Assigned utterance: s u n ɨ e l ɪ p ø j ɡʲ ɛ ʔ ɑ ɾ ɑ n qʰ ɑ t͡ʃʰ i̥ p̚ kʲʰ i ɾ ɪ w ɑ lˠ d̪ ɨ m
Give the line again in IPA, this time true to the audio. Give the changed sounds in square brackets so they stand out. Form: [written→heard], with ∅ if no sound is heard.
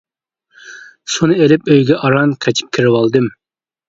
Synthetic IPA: s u n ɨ e l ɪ p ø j ɡʲ ɛ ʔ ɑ ɾ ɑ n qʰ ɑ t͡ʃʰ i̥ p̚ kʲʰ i ɾ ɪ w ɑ lˠ d̪ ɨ m